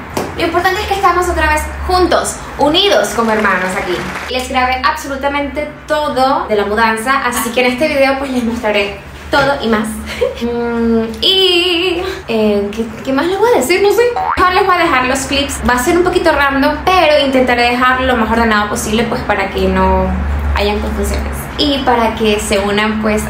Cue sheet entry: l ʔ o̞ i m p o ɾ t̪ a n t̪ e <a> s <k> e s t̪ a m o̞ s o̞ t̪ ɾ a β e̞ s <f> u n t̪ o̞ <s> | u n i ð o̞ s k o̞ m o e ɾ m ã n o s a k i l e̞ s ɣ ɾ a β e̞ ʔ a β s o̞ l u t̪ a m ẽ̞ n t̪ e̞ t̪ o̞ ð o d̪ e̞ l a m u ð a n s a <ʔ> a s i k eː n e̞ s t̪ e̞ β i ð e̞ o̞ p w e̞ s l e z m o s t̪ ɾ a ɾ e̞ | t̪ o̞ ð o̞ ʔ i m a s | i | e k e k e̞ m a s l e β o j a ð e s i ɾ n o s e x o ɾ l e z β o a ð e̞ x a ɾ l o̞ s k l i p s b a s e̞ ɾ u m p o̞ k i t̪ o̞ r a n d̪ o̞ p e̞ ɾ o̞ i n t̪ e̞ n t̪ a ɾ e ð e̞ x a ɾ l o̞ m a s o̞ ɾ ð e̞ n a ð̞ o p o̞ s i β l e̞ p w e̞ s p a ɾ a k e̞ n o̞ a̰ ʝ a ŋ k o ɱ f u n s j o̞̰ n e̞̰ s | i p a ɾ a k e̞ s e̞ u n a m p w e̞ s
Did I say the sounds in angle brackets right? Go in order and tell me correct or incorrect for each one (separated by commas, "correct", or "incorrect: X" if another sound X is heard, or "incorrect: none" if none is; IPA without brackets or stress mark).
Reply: incorrect: e, correct, incorrect: x, correct, correct